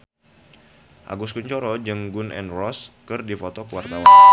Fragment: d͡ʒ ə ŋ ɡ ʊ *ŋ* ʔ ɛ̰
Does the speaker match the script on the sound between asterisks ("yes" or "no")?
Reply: no